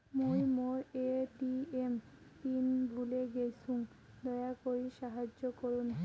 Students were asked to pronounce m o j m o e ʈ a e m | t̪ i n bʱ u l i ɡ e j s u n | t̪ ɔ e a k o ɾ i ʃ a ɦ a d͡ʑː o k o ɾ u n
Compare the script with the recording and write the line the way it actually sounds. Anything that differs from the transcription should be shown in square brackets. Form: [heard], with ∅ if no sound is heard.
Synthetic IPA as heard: m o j m o e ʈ [i] e m | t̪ i n bʱ u l [e] ɡ e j s u [ŋ] | [d̪] ɔ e a k o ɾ i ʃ a ɦ a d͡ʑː o k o ɾ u n